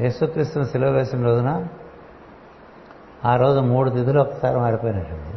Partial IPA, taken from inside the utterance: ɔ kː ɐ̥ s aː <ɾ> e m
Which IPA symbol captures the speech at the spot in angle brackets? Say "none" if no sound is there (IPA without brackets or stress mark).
ɾ